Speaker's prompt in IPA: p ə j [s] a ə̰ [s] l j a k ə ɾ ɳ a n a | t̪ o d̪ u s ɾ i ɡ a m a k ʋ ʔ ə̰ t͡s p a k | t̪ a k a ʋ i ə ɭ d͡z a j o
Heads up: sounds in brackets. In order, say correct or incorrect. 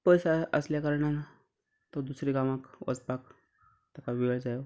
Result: correct, correct

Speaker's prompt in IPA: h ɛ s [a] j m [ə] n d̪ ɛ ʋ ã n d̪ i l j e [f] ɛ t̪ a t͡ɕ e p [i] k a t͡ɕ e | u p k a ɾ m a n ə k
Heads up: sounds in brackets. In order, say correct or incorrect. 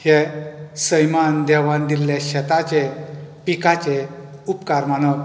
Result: incorrect, incorrect, incorrect, correct

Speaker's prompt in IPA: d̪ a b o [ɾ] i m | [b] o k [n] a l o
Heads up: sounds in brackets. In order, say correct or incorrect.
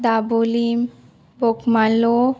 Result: incorrect, correct, incorrect

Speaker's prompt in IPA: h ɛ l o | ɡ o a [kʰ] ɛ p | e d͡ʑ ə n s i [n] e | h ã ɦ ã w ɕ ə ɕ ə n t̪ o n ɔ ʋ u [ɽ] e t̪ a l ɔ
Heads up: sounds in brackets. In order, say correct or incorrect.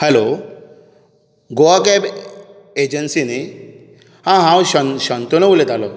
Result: incorrect, correct, incorrect

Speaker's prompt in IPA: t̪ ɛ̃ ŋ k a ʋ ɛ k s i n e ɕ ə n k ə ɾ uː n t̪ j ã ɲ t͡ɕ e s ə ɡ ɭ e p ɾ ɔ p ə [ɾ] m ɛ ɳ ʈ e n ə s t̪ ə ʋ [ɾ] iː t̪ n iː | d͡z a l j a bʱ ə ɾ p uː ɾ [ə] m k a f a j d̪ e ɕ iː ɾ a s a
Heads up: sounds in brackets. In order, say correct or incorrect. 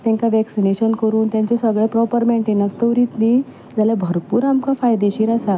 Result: correct, correct, incorrect

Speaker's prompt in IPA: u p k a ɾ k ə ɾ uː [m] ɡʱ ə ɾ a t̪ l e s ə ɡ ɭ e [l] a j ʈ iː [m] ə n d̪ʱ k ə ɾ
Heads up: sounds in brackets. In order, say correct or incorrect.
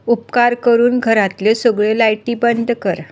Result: incorrect, correct, incorrect

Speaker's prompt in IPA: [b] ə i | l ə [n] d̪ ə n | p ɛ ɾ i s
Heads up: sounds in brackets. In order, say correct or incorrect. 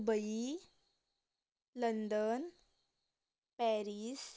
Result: correct, correct

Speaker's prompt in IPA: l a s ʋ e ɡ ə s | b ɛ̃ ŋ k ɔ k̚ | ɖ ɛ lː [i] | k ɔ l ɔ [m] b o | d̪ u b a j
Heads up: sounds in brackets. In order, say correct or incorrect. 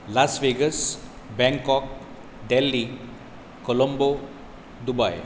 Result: correct, correct

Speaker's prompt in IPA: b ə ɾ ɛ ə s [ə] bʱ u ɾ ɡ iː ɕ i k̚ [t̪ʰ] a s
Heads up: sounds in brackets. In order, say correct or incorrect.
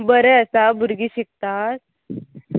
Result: incorrect, incorrect

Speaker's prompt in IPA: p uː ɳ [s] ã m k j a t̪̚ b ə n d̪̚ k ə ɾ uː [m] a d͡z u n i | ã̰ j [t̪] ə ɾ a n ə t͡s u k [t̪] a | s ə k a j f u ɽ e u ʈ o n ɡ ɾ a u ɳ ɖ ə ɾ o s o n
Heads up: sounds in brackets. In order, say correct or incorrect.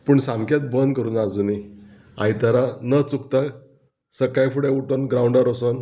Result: correct, incorrect, correct, correct

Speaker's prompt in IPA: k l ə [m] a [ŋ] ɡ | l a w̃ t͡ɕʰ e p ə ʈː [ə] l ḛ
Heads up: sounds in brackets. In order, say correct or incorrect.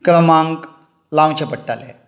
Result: correct, correct, incorrect

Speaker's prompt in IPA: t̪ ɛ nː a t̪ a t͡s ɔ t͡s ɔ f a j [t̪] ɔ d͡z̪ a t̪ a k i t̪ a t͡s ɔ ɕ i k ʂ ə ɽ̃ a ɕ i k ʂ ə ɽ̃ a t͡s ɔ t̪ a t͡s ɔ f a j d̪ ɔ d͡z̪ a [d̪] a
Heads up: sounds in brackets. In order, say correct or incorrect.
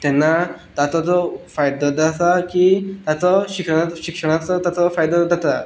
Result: incorrect, incorrect

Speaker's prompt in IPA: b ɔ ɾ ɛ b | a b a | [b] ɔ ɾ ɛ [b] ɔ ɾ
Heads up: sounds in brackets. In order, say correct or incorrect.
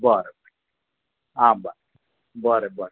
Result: correct, correct

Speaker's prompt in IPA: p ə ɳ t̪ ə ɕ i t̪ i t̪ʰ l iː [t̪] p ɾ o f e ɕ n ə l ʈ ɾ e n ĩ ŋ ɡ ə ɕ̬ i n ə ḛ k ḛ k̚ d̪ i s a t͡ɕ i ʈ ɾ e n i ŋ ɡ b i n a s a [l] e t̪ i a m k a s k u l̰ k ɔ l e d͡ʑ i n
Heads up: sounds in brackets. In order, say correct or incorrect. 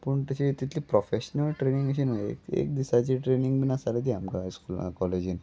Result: incorrect, correct

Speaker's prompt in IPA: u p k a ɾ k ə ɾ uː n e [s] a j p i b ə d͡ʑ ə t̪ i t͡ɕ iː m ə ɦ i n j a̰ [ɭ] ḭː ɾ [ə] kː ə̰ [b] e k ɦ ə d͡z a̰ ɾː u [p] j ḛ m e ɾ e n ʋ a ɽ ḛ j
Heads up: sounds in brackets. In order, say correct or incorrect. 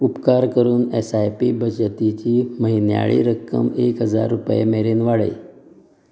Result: correct, correct, correct, incorrect, correct

